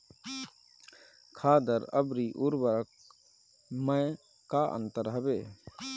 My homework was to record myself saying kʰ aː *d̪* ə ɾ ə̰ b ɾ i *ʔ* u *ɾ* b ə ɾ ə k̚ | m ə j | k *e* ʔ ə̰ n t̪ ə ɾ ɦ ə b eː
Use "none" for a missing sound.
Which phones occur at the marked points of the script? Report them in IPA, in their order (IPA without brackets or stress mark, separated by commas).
d̪, ʔ, ɾ, a